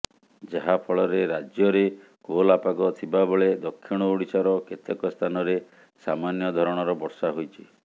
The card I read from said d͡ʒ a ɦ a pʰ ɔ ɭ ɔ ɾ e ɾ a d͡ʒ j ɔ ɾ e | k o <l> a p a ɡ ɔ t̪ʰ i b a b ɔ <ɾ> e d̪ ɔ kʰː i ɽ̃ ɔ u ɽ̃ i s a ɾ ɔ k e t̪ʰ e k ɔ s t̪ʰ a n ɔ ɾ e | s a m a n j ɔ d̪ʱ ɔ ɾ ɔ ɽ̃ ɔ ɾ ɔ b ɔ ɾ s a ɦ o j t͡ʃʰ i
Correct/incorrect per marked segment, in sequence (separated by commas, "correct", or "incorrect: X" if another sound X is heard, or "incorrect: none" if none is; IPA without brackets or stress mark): correct, incorrect: ɭ